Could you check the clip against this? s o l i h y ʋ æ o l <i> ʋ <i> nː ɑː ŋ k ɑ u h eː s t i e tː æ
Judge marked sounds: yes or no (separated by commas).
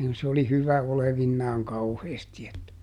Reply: no, yes